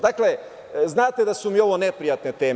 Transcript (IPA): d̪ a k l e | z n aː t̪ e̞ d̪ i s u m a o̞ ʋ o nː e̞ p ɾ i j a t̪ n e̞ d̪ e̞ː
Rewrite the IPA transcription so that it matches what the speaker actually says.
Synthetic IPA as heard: d̪ a k l e | z n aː t̪ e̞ d̪ a s u m i o̞ ʋ o n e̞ p ɾ i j a t̪ n e̞ t̪ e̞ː